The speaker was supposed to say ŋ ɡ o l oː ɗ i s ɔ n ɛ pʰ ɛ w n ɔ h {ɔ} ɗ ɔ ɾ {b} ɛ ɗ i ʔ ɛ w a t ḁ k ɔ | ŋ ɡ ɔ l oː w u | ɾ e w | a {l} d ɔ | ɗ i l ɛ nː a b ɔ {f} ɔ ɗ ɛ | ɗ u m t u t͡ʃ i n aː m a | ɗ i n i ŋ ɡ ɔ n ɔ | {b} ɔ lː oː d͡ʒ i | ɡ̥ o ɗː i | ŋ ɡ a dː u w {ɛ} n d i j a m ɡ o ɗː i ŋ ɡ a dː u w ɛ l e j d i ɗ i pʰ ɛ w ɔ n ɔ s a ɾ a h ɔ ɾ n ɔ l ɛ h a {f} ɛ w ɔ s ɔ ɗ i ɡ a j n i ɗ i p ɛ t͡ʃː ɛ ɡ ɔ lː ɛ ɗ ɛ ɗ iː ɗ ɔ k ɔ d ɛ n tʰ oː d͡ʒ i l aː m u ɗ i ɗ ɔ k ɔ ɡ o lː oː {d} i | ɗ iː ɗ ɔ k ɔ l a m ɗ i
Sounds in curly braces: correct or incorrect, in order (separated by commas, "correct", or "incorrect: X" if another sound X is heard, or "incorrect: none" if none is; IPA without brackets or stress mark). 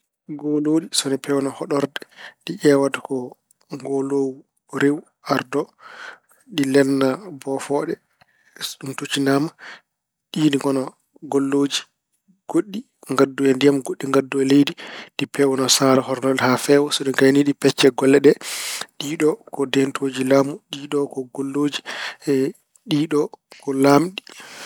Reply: correct, incorrect: d, incorrect: ɾ, correct, incorrect: ɡ, correct, correct, incorrect: d͡ʒ